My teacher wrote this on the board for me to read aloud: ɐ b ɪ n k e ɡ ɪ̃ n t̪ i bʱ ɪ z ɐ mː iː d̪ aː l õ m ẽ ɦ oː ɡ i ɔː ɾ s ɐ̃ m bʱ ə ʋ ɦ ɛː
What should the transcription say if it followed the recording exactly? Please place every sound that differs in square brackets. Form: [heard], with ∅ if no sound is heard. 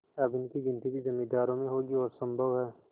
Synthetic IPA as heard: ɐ b ɪ n k [i] ɡ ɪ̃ n t̪ i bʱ [i] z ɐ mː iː d̪ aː [ɾ] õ m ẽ ɦ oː ɡ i ɔː ɾ s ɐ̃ m bʱ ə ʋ ɦ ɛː